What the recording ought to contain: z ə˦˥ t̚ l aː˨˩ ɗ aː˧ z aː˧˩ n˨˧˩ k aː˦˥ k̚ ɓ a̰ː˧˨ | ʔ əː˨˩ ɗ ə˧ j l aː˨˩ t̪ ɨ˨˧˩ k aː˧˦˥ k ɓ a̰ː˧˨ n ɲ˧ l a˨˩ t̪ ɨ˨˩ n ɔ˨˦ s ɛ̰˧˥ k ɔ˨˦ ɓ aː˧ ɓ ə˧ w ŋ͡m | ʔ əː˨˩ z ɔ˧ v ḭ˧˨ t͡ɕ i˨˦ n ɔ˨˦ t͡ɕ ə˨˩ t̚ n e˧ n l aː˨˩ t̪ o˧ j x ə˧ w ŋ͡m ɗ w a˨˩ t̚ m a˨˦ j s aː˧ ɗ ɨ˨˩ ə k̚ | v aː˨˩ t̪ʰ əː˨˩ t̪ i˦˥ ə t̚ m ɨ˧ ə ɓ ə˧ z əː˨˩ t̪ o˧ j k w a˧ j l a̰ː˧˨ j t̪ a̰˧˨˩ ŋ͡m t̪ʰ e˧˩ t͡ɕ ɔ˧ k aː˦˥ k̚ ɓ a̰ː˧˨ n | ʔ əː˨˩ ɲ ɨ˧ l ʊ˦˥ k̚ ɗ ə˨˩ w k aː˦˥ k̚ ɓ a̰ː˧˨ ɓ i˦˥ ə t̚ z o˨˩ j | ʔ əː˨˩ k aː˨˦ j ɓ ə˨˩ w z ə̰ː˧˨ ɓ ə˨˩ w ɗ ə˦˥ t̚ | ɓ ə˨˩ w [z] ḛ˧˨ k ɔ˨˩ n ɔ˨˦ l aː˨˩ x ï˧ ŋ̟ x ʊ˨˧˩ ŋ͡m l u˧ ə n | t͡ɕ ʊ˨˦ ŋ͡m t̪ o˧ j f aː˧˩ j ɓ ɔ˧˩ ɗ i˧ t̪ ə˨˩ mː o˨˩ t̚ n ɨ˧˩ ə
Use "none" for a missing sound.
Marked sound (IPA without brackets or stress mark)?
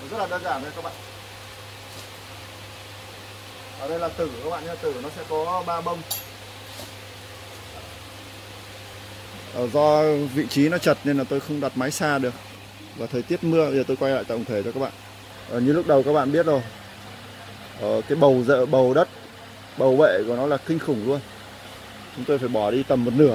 v